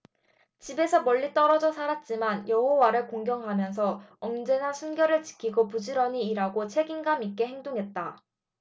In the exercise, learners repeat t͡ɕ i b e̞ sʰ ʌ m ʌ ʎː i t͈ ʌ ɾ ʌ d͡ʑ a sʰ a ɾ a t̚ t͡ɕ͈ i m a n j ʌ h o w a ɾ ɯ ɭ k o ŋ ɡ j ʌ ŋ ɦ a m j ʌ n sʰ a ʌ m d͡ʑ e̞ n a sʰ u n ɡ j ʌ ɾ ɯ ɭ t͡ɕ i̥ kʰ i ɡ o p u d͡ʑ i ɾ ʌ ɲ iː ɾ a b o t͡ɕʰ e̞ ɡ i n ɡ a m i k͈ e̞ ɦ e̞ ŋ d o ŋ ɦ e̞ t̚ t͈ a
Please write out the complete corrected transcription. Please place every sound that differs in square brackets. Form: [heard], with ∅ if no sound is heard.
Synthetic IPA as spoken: t͡ɕ i b e̞ sʰ ʌ m ʌ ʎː i t͈ ʌ ɾ ʌ d͡ʑ [ʌ] sʰ a ɾ a t̚ t͡ɕ͈ i m a n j ʌ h o w a ɾ ɯ ɭ k o ŋ ɡ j ʌ ŋ ɦ a m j ʌ n sʰ [ʌ] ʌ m d͡ʑ e̞ n a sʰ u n ɡ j ʌ ɾ ɯ ɭ t͡ɕ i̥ kʰ i ɡ o p u d͡ʑ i ɾ ʌ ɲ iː ɾ a [ɡ] o t͡ɕʰ e̞ ɡ i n ɡ a m i k͈ e̞ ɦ e̞ ŋ d o ŋ ɦ e̞ t̚ t͈ a